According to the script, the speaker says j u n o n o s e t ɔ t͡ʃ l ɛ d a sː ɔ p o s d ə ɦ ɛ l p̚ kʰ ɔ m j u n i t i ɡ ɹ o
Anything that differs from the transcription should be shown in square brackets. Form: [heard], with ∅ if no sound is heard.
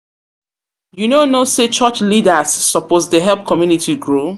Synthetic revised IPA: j u n o n o s e [t͡ʃ] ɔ t͡ʃ l [i] d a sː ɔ p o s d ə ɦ ɛ l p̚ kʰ ɔ m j u n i t i ɡ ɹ o